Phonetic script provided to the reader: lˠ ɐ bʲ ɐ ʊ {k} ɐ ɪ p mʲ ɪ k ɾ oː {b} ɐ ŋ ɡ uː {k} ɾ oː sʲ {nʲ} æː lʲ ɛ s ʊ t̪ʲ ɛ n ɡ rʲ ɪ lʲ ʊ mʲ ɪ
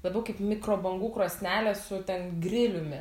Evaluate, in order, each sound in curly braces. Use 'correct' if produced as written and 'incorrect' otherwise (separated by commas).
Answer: correct, correct, correct, correct